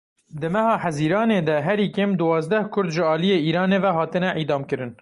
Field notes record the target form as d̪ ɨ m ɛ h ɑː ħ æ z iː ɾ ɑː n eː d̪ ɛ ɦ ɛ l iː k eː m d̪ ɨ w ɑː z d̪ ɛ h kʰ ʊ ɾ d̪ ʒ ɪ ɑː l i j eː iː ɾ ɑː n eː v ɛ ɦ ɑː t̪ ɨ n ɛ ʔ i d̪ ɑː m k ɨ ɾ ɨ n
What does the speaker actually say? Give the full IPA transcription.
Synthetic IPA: d̪ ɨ m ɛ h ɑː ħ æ z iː ɾ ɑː n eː d̪ ɛ ɦ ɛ ɾ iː k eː m d̪ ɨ w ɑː z d̪ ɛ h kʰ ʊ ɾ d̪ ʒ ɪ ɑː l i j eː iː ɾ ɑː n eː v ɛ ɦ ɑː t̪ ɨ n ɛ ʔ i d̪ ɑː m k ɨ ɾ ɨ n